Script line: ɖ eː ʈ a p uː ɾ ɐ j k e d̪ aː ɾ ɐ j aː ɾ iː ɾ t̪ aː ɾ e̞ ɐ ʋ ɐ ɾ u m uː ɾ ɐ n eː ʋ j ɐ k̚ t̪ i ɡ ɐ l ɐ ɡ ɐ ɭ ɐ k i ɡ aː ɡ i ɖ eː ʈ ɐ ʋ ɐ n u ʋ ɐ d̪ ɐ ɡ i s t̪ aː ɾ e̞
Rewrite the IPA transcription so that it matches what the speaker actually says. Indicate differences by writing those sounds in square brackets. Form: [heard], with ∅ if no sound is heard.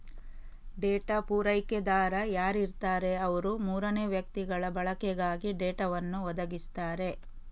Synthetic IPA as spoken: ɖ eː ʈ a p uː ɾ ɐ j k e d̪ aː ɾ ɐ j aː ɾ [i] ɾ t̪ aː ɾ e̞ ɐ ʋ ɐ ɾ u m uː ɾ ɐ n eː ʋ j ɐ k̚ t̪ i ɡ ɐ [ɭ] ɐ [b] ɐ ɭ ɐ k [ɛ] ɡ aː ɡ i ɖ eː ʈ ɐ ʋ ɐ [nː] u ʋ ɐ d̪ ɐ ɡ i s t̪ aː ɾ e̞